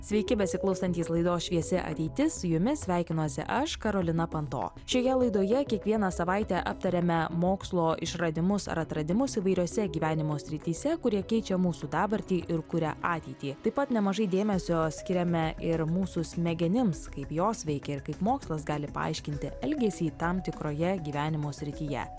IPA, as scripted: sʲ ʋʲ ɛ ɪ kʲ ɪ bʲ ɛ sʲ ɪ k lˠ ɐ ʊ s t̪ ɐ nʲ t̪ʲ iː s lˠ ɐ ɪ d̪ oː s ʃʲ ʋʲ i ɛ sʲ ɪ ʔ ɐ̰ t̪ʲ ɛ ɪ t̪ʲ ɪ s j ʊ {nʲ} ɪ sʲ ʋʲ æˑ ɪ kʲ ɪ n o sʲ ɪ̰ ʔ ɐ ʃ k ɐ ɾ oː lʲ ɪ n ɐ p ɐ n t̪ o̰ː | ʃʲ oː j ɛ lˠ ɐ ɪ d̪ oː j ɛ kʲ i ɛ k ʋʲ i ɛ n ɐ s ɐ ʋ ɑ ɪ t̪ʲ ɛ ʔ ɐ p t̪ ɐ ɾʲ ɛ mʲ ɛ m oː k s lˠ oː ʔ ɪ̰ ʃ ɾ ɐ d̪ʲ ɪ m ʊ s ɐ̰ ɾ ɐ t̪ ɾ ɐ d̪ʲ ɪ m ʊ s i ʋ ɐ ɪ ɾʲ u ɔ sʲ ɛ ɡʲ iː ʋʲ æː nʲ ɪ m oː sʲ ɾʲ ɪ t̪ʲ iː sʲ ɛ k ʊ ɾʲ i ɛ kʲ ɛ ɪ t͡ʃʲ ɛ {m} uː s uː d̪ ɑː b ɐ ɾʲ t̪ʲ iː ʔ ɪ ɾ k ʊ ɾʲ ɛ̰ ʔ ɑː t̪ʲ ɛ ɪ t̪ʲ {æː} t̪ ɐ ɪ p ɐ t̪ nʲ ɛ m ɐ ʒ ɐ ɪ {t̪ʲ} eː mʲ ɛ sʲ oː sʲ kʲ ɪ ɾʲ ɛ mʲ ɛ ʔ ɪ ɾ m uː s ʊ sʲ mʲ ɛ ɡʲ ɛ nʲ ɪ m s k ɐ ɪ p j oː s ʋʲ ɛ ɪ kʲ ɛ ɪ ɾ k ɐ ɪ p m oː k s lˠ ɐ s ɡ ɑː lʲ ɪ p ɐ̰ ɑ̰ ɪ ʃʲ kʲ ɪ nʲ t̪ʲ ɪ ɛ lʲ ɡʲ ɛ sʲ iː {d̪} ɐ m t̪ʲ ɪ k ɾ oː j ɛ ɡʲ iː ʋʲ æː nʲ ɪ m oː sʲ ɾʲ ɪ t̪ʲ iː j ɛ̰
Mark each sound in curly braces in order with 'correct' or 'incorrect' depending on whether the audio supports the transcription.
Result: incorrect, correct, incorrect, incorrect, incorrect

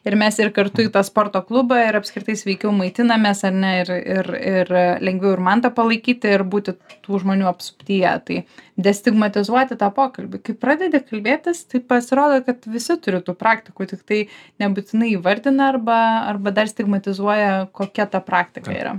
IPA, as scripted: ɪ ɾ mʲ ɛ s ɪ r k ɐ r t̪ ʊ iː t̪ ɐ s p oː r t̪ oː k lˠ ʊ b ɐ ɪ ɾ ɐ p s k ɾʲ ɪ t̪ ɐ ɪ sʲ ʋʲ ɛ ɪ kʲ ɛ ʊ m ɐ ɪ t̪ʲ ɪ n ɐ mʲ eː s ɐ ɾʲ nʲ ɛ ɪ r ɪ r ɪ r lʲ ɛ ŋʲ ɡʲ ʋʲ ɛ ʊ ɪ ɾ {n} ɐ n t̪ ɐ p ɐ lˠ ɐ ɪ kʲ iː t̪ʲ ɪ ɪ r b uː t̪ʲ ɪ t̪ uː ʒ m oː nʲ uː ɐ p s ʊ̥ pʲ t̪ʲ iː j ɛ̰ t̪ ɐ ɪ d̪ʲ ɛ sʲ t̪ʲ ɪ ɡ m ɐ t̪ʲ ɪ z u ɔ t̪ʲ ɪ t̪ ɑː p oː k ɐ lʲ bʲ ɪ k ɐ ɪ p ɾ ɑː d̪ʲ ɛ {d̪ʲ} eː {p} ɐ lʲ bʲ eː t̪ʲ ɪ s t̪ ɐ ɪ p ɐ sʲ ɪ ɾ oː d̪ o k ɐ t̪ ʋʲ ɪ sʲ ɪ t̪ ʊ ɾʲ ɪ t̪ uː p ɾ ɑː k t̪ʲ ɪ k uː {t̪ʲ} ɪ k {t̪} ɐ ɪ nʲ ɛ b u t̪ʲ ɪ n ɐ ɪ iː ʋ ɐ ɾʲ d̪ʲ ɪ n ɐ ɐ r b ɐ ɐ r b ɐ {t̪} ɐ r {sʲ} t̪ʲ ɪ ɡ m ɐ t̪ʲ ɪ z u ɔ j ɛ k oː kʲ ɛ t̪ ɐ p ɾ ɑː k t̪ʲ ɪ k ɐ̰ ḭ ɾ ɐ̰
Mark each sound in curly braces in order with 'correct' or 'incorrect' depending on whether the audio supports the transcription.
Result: incorrect, correct, incorrect, correct, correct, incorrect, correct

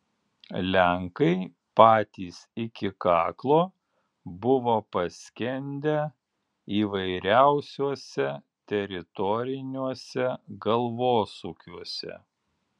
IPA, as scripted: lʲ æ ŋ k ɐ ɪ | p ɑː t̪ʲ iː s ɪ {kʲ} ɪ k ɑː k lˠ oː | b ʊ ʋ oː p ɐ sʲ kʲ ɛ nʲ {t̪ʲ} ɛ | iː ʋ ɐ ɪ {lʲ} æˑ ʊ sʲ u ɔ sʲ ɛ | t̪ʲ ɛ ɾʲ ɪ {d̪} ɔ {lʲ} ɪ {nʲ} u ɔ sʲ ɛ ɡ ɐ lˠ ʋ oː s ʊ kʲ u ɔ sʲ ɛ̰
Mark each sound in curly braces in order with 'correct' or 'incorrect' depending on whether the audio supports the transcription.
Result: correct, incorrect, incorrect, incorrect, incorrect, correct

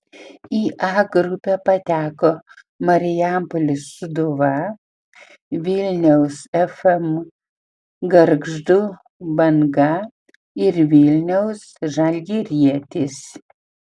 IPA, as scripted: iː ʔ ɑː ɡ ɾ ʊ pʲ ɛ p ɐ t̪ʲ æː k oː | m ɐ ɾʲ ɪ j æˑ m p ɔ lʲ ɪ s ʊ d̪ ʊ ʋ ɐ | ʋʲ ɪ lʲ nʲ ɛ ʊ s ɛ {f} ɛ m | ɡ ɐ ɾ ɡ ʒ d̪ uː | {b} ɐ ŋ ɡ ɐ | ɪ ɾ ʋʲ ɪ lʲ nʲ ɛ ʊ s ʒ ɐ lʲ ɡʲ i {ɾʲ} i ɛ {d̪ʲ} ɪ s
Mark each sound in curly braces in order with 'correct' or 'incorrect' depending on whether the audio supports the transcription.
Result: correct, correct, correct, incorrect

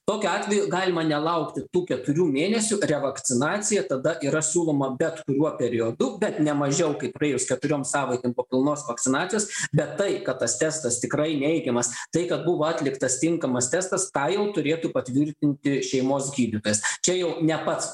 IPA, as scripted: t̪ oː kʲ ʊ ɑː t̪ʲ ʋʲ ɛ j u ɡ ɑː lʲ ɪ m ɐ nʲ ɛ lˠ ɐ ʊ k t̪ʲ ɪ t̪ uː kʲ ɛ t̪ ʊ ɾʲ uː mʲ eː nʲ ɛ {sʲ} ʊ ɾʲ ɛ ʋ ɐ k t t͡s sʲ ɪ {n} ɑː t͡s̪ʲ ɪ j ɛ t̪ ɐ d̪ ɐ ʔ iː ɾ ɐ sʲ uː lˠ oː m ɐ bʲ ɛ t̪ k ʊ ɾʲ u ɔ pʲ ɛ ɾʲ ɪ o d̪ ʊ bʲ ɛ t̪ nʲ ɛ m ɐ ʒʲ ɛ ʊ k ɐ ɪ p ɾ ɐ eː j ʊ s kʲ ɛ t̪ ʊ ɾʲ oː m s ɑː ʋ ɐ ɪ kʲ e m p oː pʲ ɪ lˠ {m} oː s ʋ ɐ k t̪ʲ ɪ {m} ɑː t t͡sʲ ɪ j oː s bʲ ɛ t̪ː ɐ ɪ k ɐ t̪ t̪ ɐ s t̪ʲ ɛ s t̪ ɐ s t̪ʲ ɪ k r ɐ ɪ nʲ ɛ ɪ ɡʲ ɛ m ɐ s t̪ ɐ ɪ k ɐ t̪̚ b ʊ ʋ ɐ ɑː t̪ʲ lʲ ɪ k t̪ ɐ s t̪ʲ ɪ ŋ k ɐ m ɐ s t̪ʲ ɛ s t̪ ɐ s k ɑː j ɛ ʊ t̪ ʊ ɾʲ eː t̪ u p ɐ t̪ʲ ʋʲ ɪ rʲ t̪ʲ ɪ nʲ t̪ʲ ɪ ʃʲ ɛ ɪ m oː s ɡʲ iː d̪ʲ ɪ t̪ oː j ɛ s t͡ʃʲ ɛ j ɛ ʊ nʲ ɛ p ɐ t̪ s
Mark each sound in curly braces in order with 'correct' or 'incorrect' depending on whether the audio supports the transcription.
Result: correct, correct, incorrect, incorrect

